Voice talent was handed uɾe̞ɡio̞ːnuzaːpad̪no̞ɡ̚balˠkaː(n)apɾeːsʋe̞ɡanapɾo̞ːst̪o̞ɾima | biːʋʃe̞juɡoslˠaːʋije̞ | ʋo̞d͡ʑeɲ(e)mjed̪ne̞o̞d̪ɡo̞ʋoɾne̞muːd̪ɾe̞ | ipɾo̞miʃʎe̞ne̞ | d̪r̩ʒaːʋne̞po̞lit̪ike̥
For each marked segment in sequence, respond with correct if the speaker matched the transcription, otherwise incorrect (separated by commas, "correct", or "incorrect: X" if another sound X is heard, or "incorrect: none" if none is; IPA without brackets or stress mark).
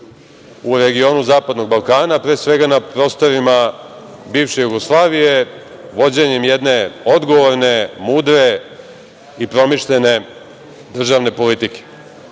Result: correct, correct